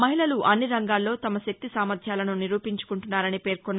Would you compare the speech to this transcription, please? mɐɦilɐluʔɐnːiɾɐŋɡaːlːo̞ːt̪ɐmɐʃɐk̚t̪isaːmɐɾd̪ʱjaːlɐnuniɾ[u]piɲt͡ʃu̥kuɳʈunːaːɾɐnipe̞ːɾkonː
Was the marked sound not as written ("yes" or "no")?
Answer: yes